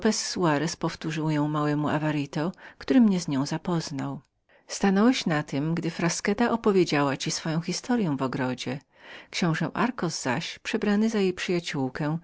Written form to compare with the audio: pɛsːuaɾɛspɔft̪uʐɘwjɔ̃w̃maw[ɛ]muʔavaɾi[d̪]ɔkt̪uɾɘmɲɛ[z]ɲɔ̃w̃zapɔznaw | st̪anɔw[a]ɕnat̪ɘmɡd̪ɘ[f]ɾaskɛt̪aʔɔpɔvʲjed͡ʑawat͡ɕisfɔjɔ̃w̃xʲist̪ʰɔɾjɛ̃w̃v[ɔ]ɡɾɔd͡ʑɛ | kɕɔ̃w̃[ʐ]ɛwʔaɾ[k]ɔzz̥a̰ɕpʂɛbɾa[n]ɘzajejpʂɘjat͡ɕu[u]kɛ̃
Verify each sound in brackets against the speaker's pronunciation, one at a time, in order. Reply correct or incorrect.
correct, incorrect, correct, incorrect, correct, correct, correct, correct, correct, incorrect

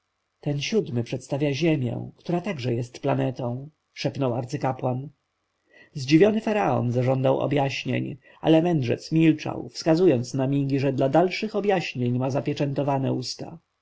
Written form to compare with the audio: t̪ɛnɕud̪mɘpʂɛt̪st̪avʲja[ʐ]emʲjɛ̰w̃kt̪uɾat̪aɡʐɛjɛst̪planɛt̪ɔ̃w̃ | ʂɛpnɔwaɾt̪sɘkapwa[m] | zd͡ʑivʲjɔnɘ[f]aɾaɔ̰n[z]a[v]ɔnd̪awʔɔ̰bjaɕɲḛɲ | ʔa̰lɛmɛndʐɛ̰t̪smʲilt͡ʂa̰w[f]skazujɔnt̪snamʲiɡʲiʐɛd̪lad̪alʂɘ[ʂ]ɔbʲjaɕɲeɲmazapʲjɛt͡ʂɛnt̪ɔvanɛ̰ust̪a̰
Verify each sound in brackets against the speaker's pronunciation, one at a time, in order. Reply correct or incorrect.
incorrect, incorrect, correct, correct, incorrect, correct, incorrect

